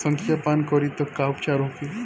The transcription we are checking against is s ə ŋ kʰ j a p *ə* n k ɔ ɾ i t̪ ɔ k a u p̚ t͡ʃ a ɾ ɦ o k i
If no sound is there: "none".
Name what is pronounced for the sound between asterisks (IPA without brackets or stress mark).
a